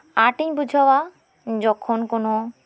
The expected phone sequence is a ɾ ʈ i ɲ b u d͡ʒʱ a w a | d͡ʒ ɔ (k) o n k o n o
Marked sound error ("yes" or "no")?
yes